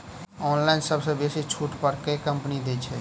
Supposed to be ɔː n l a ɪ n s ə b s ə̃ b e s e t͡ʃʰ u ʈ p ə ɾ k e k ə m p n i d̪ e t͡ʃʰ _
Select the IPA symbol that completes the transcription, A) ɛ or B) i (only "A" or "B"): A